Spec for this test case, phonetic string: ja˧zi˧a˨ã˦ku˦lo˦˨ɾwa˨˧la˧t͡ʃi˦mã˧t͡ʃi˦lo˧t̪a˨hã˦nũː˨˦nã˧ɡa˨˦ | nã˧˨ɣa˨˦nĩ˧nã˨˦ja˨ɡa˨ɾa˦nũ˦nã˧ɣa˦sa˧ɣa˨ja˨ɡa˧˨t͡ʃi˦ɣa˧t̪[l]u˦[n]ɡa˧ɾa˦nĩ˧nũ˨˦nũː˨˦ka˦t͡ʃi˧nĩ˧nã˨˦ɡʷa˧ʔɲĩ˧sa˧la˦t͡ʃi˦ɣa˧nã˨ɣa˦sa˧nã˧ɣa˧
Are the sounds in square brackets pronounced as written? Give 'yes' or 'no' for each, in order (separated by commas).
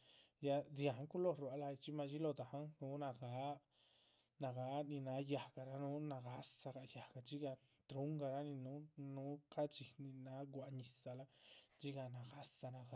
no, no